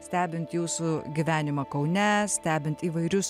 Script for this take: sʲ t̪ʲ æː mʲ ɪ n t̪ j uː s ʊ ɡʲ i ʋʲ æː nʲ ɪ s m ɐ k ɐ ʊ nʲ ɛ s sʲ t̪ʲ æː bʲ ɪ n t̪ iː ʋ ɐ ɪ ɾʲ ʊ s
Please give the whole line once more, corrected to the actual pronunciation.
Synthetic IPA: sʲ t̪ʲ æː bʲ ɪ n t̪ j uː s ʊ ɡʲ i ʋʲ æː nʲ ɪ m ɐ k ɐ ʊ nʲ ɛ s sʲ t̪ʲ æː bʲ ɪ n t̪ iː ʋ ɐ ɪ ɾʲ ʊ s